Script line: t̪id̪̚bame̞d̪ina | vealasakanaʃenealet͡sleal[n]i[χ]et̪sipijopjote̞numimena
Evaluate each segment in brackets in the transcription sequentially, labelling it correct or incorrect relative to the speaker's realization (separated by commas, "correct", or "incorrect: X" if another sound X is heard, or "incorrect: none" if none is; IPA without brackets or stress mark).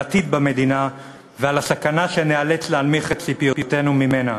incorrect: m, correct